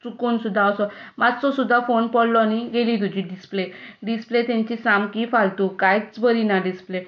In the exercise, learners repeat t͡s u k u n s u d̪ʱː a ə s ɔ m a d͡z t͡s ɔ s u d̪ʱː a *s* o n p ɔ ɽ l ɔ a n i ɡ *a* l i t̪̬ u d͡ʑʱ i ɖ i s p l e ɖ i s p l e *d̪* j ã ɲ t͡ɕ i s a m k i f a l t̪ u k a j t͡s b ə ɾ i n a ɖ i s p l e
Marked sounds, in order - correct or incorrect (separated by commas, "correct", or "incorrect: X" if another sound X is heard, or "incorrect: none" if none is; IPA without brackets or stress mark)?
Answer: incorrect: f, incorrect: e, incorrect: t̪